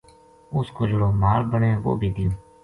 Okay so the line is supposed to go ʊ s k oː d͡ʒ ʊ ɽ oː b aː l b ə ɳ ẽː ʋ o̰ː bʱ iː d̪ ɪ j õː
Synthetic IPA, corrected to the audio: ʊ s k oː d͡ʒ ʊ ɽ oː m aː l b ə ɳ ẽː ʋ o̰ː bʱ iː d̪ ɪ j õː